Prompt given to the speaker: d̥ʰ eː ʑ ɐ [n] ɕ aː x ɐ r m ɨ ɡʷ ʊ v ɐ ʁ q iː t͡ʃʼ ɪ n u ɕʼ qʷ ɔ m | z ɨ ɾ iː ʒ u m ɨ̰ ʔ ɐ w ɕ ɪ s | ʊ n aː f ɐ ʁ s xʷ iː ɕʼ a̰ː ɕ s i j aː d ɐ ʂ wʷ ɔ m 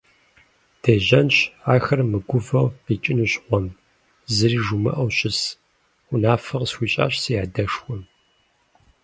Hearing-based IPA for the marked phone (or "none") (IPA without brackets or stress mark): n